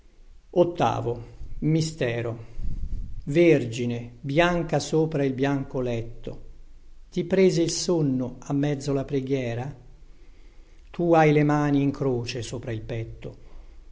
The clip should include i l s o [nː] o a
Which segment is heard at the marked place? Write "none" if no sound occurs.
nː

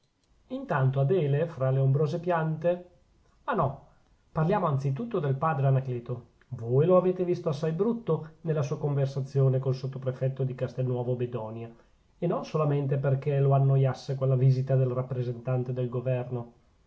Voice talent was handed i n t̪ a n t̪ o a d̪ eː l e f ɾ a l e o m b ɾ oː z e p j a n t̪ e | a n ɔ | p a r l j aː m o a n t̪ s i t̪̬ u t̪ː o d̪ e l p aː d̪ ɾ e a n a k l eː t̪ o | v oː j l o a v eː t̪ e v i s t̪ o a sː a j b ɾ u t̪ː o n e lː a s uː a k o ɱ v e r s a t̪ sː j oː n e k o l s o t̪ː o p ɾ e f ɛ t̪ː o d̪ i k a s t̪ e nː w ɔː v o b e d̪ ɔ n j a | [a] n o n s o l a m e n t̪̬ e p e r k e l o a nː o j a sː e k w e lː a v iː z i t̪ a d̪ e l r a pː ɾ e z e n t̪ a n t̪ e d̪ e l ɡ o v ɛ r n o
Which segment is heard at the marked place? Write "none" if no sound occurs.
e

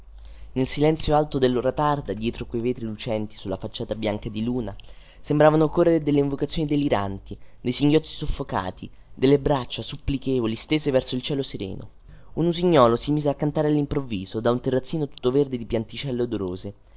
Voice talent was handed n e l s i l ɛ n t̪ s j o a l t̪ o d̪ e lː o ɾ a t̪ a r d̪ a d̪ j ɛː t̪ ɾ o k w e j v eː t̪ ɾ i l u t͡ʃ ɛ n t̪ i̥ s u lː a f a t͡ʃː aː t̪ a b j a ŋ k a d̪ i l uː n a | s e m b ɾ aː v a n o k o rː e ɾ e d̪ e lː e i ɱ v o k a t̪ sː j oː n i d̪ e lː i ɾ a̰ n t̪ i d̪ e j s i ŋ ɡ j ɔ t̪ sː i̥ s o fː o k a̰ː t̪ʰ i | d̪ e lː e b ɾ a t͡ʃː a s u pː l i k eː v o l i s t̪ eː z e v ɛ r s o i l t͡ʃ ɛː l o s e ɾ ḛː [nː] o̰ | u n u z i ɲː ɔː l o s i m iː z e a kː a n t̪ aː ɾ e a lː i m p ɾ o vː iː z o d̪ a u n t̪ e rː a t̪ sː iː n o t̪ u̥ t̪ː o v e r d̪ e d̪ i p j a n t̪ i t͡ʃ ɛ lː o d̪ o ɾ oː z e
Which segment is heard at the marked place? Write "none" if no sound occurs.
n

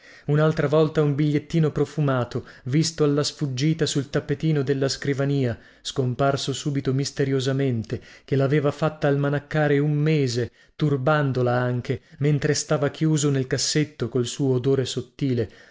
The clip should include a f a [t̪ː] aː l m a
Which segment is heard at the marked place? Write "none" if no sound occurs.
t̪ː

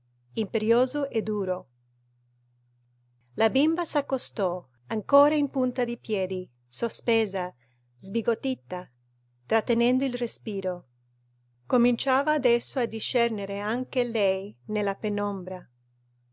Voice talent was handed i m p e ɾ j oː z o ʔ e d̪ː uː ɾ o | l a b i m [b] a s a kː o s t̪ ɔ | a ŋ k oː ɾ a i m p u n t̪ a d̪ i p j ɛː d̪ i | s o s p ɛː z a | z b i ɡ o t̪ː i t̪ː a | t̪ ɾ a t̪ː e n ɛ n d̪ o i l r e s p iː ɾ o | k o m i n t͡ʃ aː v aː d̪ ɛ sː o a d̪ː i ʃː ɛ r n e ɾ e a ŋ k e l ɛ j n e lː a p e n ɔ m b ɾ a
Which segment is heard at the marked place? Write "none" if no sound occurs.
b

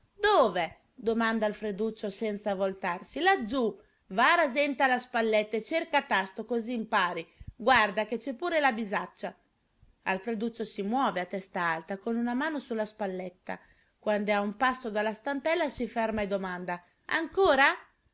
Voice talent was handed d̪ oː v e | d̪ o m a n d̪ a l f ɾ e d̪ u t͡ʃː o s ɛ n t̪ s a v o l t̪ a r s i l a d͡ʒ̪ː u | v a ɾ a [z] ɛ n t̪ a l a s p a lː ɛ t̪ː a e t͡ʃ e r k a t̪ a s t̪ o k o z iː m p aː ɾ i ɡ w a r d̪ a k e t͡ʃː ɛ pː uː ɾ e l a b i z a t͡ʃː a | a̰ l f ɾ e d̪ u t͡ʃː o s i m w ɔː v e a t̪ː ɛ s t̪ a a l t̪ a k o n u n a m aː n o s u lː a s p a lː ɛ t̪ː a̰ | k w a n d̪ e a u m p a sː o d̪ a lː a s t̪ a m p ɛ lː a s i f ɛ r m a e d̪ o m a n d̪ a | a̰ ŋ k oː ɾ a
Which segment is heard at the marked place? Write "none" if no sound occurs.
z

